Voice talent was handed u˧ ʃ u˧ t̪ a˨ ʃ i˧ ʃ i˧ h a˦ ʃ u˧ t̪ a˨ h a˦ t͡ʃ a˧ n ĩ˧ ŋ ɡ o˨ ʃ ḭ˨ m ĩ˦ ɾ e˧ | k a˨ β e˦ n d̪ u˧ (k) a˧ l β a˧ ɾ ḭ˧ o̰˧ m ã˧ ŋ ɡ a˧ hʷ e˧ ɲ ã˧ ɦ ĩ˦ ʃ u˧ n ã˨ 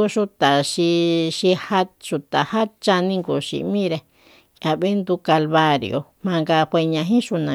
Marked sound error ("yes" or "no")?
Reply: no